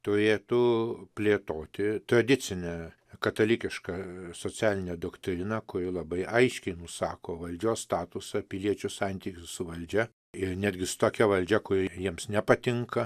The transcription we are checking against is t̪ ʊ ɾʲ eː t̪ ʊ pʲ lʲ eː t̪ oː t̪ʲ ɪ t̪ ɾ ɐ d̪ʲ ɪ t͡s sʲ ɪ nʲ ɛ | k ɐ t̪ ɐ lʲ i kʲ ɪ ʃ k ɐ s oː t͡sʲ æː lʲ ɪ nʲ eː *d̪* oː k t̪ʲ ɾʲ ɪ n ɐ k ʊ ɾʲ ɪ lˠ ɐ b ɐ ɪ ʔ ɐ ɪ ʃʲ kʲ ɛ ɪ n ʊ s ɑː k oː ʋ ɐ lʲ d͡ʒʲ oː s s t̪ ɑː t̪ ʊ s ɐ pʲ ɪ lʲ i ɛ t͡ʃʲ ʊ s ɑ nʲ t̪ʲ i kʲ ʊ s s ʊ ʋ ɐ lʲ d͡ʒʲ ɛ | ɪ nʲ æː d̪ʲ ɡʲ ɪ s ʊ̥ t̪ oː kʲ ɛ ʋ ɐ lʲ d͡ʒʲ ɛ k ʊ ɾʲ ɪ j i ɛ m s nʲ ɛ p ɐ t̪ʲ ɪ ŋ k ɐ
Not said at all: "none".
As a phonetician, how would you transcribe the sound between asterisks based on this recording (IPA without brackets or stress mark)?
d̪